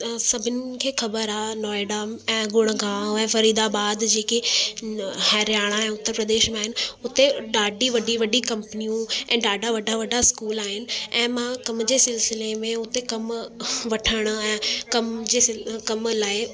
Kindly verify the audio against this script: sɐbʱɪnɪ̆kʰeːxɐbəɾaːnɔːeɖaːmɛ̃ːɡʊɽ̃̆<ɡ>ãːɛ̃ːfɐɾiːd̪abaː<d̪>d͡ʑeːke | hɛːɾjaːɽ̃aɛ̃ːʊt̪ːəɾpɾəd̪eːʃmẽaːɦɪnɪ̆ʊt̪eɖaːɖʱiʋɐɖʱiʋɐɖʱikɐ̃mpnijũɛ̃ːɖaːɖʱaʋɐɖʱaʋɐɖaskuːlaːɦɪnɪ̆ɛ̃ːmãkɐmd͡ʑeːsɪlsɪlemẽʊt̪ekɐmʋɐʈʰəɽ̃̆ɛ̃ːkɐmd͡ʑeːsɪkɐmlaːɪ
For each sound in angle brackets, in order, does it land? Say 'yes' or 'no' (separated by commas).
yes, yes